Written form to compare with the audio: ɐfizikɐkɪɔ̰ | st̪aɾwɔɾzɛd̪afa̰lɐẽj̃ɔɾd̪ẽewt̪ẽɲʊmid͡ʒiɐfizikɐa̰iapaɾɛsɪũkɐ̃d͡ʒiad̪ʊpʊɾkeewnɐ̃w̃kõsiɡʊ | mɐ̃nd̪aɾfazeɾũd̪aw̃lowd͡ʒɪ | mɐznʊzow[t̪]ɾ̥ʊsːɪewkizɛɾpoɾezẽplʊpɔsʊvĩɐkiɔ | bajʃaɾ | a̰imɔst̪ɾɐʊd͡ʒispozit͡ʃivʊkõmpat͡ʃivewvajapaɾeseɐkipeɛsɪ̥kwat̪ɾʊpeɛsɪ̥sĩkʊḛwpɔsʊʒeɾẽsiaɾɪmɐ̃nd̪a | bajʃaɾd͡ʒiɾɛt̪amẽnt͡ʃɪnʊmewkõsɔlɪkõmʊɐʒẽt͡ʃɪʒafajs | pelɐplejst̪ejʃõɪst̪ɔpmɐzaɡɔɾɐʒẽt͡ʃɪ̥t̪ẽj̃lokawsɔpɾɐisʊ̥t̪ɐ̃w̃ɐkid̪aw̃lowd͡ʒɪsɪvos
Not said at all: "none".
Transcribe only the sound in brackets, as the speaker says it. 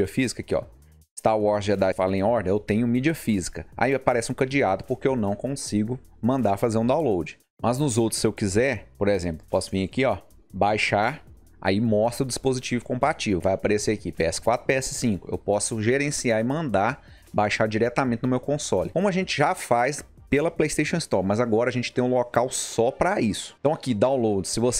t̪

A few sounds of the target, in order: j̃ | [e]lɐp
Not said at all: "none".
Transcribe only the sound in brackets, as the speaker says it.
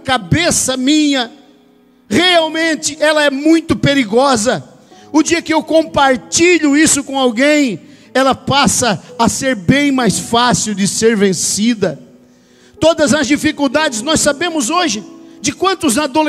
ɛ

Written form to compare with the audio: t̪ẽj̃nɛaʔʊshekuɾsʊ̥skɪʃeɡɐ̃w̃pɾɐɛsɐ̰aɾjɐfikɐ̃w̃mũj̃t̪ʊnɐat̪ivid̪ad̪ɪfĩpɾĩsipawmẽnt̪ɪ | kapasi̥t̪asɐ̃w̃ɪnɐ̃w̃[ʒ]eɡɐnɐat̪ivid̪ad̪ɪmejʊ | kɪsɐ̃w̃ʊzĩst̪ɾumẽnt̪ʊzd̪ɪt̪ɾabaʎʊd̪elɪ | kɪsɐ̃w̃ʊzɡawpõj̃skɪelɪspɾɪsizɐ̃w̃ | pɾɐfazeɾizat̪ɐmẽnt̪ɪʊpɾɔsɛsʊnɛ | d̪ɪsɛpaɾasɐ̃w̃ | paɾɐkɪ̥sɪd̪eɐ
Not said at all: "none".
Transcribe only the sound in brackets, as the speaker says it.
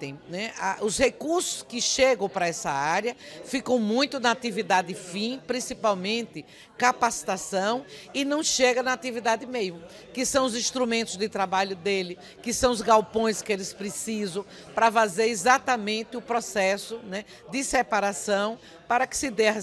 ʃ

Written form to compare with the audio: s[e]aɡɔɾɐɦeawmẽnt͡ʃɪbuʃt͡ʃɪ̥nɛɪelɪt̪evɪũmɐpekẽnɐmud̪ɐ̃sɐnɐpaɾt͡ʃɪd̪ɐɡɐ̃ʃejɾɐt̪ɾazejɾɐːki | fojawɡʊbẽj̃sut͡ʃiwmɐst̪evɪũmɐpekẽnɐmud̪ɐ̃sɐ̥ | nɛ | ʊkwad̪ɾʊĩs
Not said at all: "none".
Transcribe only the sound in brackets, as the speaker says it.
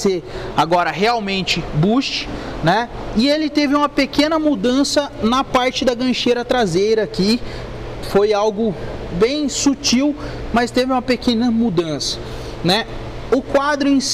e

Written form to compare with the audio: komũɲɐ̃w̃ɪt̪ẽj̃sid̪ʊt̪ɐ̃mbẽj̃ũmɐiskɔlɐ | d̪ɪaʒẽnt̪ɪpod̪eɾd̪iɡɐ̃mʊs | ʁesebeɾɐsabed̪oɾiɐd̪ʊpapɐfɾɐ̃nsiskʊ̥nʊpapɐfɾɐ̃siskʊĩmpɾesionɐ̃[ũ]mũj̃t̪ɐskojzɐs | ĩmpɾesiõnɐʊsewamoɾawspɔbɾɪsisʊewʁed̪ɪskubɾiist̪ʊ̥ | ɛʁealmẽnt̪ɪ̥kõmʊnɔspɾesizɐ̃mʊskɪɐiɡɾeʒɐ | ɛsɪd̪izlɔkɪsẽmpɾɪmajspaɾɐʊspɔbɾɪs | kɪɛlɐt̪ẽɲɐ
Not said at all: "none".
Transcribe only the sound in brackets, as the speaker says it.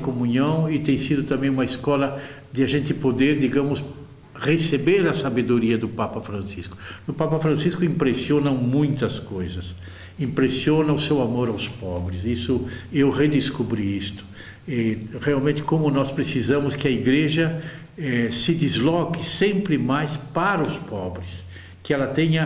w̃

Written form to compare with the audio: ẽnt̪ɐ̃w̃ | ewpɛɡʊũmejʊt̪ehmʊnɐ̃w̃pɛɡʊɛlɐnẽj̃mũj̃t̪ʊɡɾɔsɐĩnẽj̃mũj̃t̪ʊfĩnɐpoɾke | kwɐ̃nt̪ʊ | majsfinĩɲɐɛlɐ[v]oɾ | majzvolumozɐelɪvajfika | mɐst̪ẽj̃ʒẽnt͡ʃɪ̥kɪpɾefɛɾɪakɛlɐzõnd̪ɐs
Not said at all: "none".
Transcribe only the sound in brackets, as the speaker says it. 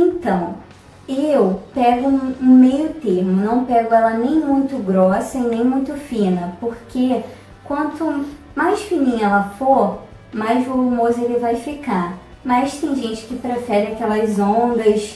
f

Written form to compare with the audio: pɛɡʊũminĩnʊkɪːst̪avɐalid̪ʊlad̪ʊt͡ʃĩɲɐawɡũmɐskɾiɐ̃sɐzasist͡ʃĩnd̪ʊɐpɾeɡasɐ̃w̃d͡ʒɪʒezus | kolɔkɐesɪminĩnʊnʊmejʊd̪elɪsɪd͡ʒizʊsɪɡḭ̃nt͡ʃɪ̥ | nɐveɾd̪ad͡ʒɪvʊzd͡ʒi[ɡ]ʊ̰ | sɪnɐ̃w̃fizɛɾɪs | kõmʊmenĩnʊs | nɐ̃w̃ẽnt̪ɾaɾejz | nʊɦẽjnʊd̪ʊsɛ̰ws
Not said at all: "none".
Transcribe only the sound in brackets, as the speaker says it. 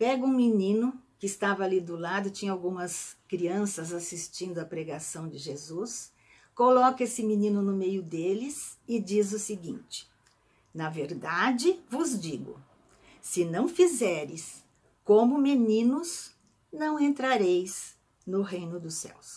ɡ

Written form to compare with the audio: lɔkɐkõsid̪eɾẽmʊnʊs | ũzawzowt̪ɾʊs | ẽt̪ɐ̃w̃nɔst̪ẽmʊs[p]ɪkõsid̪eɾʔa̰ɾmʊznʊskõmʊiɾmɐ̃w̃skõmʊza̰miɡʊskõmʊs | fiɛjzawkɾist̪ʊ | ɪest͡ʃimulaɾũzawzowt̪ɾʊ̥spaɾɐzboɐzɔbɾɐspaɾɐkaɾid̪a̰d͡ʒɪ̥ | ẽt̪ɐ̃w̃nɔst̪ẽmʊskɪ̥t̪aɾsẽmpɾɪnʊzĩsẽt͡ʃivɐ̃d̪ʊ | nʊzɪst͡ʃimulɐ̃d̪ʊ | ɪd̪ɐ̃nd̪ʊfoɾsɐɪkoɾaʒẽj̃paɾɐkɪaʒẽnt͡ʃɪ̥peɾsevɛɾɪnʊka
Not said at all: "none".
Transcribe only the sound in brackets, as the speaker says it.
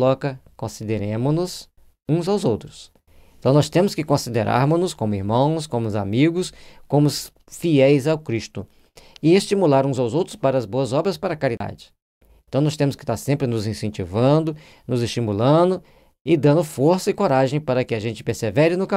k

